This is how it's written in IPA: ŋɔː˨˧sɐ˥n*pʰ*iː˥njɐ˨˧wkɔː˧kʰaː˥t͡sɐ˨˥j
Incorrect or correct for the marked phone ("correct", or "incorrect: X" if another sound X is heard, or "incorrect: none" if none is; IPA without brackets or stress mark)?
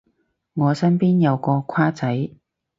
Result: incorrect: p